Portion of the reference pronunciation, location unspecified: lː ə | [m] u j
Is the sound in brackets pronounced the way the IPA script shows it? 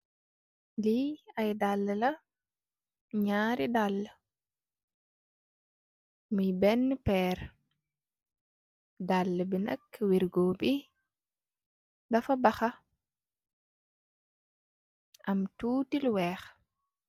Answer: yes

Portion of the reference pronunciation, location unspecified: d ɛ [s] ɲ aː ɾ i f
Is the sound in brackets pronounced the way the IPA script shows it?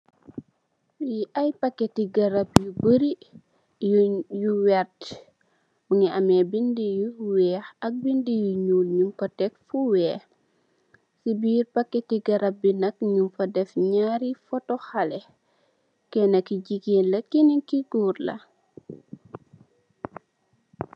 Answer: no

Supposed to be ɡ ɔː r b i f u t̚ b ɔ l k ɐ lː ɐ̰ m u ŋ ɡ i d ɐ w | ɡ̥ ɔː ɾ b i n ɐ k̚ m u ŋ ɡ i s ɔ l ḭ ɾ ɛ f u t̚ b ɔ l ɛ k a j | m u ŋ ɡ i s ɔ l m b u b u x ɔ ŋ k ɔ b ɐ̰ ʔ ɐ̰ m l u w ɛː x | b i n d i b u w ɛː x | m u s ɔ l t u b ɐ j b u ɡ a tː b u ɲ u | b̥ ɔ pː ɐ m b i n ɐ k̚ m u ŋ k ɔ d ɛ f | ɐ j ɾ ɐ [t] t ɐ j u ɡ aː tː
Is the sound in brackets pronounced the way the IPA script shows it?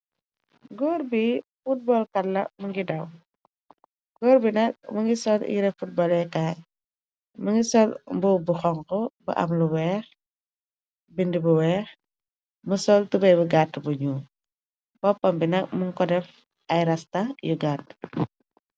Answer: no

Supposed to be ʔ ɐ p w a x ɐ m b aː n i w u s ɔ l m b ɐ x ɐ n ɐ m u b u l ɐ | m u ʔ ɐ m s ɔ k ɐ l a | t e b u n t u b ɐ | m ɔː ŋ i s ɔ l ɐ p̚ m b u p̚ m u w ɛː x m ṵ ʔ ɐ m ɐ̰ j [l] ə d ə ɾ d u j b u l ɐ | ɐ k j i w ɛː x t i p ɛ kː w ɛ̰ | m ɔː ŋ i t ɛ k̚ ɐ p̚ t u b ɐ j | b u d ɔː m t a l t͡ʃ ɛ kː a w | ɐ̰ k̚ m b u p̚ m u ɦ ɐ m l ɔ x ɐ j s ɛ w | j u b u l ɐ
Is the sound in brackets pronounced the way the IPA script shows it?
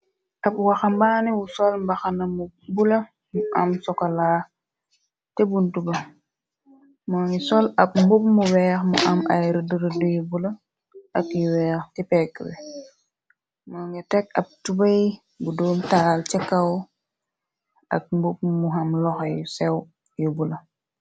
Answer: no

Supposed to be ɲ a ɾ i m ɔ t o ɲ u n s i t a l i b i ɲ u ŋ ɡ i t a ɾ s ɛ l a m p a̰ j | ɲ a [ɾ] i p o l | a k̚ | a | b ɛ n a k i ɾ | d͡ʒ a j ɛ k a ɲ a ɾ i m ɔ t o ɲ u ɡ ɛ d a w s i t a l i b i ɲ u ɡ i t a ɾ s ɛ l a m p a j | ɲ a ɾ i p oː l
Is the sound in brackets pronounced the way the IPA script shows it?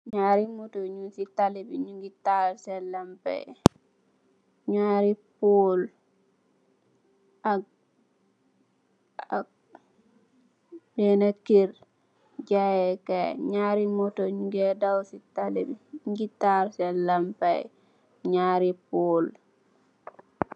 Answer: yes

